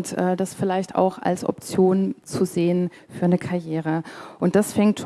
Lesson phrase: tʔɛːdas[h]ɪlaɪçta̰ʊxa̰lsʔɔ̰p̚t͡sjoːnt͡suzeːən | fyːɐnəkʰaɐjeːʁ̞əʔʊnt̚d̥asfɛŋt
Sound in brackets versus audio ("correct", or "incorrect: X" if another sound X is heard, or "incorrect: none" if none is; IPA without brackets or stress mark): incorrect: f